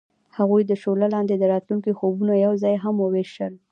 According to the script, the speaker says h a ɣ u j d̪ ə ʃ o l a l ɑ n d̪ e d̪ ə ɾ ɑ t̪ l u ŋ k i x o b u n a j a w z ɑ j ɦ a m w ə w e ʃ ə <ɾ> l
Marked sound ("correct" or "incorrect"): incorrect